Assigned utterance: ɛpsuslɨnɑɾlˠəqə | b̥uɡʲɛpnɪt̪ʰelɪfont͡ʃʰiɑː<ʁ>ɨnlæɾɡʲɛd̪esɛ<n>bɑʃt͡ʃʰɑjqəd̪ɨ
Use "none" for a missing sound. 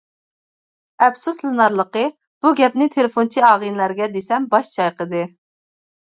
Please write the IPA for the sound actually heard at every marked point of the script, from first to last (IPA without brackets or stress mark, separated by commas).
ʁ, m